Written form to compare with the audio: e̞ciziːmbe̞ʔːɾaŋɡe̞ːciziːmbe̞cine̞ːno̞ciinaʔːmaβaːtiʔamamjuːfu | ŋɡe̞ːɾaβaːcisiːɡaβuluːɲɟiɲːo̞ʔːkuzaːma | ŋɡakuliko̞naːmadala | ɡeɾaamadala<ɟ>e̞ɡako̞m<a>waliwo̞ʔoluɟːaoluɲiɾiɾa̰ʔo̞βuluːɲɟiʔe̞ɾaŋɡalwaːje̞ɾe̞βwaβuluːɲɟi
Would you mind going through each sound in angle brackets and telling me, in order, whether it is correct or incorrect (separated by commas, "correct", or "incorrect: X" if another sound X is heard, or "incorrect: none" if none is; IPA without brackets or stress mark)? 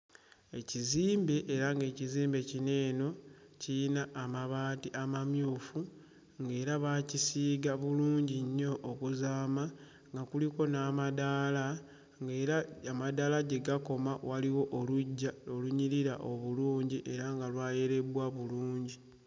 correct, correct